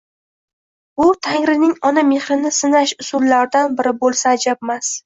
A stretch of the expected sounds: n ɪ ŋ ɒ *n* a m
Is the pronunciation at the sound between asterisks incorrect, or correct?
correct